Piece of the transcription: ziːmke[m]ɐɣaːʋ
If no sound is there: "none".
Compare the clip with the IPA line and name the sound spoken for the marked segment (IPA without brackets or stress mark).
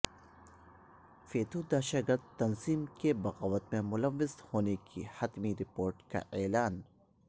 b